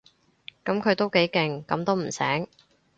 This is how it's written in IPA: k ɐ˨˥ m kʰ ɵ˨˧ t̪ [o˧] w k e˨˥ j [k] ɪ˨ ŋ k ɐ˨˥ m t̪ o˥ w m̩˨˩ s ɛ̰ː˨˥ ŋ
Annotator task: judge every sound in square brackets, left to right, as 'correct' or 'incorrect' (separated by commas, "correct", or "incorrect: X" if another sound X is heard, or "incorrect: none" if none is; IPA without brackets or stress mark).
incorrect: o˥, correct